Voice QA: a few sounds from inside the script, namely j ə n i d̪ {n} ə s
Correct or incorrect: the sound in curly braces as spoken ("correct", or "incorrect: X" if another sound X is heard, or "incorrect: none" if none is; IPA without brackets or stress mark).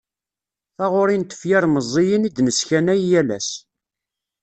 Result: correct